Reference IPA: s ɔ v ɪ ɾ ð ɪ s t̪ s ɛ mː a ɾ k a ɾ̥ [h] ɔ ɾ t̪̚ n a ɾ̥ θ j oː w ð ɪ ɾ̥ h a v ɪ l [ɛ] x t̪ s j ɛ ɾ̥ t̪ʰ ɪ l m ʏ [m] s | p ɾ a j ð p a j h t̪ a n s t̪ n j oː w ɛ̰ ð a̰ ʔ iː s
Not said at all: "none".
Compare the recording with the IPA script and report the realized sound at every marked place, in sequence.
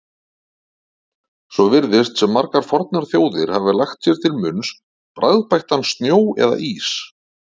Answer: f, a, n

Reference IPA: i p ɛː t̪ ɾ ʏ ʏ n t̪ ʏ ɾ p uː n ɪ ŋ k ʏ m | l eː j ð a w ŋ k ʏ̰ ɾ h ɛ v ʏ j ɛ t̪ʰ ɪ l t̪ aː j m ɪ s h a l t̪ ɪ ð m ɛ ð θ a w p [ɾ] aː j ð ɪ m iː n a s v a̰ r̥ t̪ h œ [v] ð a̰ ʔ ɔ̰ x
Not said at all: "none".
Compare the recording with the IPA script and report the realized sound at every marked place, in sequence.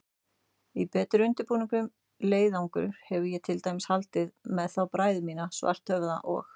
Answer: ɾ, v

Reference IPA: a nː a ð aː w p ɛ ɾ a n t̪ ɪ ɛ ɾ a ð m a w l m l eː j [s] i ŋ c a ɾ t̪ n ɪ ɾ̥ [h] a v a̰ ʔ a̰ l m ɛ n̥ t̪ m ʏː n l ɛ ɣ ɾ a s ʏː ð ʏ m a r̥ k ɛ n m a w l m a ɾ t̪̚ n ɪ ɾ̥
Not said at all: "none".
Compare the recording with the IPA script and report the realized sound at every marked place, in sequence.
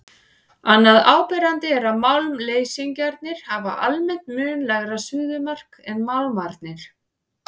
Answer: s, h

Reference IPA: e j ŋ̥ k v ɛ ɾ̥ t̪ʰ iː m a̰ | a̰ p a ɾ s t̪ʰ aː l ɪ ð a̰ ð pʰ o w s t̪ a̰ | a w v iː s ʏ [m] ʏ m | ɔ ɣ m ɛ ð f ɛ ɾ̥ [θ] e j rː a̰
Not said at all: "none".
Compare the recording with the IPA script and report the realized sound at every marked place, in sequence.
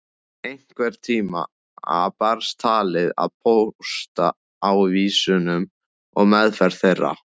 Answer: n, θ

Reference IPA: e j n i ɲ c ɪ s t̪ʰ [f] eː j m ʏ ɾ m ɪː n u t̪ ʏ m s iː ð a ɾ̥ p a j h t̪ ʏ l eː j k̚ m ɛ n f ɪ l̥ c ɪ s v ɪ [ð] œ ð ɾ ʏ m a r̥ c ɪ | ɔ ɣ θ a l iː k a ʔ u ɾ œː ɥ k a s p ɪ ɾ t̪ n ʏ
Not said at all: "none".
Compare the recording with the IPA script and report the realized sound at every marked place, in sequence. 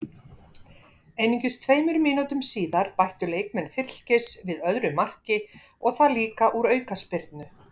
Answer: v, ð

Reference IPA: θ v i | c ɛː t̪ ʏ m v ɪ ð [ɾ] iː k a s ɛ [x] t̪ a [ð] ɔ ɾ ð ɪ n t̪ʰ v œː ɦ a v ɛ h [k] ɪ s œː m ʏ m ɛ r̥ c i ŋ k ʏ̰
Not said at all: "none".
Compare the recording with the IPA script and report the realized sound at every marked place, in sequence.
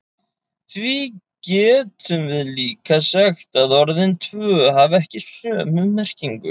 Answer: l, x, ð, c

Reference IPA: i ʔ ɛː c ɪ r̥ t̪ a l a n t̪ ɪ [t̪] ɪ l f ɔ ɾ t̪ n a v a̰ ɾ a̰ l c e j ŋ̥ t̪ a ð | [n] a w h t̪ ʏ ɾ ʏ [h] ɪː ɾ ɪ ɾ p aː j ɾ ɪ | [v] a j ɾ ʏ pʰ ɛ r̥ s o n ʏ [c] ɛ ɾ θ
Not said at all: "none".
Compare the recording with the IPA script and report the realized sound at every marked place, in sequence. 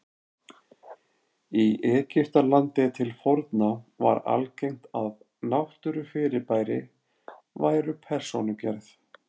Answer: t̪ʰ, n, f, v, c

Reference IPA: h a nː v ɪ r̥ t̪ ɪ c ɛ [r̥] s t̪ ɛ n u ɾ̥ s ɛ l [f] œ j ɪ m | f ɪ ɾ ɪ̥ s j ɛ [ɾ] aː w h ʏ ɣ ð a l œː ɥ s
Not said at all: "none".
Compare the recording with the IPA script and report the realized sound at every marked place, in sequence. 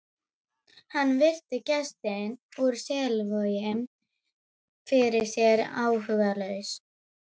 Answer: none, v, ɾ

